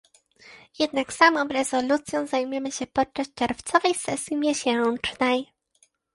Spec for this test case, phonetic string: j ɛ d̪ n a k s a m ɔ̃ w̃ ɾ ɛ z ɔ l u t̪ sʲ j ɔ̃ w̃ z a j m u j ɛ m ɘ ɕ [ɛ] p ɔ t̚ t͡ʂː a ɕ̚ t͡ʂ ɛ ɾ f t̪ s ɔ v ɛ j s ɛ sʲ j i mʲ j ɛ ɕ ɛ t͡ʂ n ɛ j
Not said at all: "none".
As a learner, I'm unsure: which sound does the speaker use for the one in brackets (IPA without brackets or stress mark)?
ɛ